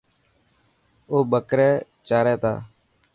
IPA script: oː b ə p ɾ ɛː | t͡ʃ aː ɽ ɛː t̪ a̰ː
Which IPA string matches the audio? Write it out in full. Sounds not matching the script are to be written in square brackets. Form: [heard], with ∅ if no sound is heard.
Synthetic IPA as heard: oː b ə [k] ɾ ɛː | t͡ʃ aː [ɾ] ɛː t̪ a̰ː